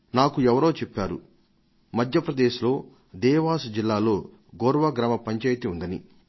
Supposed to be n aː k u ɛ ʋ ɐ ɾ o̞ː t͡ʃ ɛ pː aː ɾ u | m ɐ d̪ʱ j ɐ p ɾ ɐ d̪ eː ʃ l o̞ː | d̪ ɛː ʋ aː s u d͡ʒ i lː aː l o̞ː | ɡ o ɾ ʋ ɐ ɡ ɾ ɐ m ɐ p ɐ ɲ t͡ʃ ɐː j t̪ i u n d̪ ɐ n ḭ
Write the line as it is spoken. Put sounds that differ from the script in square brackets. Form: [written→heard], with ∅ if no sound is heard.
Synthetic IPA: n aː k u ɛ ʋ ɐ ɾ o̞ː t͡ʃ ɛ pː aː ɾ u | m ɐ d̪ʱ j ɐ p ɾ ɐ d̪ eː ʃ l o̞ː | d̪ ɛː ʋ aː s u d͡ʒ i lː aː l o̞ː | ɡ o ɾ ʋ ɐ ɡ ɾ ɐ m ɐ p ɐ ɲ t͡ʃ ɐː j t̪ i u n d̪ ɐ n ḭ